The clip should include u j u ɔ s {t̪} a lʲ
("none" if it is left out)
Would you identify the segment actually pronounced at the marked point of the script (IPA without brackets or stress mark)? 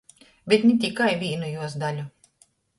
d̪